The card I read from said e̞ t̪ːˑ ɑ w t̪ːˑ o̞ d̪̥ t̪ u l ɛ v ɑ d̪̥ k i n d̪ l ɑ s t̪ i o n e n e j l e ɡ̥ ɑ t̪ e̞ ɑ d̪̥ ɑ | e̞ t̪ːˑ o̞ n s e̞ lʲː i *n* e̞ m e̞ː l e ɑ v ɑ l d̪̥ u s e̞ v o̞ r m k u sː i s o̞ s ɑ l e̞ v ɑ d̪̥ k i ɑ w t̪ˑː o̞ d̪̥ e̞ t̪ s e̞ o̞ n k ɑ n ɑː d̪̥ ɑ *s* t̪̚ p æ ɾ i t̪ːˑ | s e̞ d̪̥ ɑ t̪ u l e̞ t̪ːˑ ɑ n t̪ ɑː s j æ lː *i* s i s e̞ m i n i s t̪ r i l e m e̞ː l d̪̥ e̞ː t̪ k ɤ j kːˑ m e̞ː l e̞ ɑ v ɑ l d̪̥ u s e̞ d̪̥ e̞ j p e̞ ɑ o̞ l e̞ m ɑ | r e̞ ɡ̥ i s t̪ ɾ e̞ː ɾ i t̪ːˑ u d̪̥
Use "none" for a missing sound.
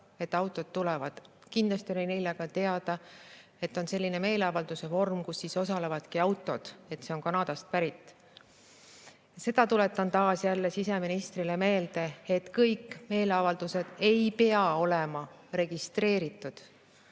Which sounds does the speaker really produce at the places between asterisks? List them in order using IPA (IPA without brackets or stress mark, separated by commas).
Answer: n, s, e